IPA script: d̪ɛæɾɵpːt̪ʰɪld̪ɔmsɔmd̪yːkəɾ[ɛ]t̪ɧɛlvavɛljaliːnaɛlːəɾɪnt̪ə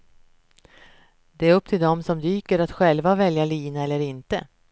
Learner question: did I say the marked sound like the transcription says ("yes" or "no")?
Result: no